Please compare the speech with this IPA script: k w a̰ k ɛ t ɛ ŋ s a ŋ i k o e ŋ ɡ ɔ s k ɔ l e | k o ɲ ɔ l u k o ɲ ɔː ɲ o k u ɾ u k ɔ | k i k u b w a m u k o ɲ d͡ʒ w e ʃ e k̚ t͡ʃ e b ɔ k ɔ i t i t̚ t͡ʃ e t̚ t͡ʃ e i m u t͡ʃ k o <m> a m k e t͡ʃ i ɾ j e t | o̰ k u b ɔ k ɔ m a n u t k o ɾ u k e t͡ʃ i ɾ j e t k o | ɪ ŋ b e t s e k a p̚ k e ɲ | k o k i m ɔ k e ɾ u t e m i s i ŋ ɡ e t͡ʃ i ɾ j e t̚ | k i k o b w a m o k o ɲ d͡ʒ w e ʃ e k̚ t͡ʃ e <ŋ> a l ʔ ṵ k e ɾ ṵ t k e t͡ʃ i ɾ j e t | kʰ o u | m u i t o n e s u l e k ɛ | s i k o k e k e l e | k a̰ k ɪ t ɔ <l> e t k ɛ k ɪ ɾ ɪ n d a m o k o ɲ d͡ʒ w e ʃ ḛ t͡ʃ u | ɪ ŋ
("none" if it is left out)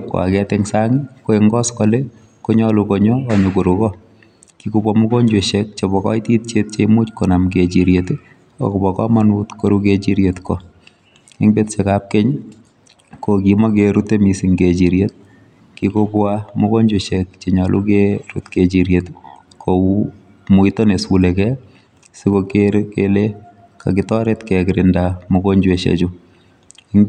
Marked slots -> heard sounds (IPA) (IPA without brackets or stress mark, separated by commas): n, ɲ, ɾ